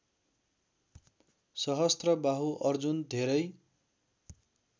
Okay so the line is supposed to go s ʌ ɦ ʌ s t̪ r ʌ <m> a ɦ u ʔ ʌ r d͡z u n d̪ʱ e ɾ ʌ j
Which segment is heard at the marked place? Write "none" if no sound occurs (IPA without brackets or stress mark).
b